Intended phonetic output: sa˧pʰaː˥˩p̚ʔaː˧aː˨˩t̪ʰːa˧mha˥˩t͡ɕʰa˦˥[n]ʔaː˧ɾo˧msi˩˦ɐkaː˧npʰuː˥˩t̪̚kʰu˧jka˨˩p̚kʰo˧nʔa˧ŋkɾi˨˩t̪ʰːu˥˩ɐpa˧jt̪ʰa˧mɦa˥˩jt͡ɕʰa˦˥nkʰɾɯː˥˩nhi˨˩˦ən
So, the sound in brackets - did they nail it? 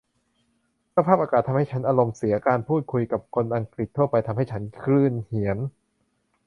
yes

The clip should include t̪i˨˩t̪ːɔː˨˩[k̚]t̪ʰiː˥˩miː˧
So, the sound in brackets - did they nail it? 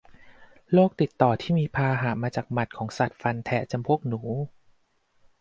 no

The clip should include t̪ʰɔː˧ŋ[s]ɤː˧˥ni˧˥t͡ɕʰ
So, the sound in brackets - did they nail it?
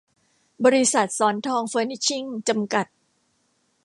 no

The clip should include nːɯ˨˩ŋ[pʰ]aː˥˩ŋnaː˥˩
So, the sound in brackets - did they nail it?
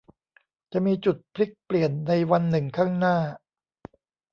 no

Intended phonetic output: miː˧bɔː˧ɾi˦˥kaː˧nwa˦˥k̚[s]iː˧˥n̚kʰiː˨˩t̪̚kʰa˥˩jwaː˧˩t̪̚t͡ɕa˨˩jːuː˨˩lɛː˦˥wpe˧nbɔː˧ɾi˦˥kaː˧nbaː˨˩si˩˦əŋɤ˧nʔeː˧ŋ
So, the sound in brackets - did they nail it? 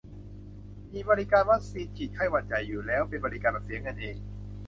yes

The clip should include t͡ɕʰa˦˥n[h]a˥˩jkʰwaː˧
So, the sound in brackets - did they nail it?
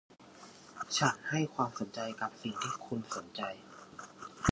yes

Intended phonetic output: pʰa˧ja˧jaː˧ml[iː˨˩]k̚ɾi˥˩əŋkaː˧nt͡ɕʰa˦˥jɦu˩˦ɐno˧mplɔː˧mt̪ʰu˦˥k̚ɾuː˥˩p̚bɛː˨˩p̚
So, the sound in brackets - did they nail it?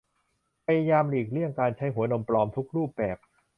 yes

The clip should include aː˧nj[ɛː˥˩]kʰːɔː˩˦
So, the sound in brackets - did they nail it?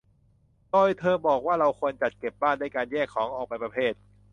yes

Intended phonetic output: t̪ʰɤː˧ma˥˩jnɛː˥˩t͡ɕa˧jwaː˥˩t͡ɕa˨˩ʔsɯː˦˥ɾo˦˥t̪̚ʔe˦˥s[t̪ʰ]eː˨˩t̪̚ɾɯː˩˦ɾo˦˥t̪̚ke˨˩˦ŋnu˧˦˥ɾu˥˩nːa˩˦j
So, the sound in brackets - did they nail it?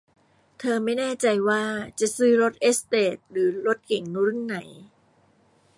no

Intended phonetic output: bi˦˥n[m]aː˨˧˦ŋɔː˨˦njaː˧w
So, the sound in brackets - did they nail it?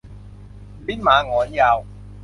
yes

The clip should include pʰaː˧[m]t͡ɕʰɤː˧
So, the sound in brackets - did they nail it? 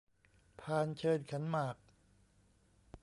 no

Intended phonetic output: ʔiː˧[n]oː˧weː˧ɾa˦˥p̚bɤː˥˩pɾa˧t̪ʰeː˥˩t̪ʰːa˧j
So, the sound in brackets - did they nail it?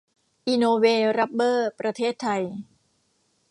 yes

